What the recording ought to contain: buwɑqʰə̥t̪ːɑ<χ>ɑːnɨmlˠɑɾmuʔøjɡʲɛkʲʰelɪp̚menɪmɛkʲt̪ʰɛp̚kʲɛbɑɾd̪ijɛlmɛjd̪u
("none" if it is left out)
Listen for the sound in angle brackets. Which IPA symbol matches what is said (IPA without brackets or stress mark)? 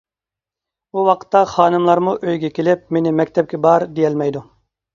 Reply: χ